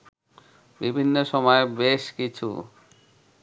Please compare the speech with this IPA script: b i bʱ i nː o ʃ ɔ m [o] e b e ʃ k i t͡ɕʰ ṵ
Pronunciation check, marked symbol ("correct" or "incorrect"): incorrect